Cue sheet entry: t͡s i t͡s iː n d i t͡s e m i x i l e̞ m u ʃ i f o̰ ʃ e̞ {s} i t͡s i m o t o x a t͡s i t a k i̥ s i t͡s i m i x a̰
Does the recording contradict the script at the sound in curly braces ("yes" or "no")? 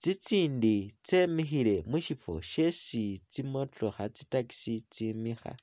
no